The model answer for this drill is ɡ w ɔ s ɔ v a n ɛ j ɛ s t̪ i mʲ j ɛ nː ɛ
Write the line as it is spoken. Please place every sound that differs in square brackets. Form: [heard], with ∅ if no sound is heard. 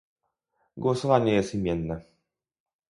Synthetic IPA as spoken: ɡ w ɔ s ɔ v a [ɲ] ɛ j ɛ s t̪ i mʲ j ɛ nː ɛ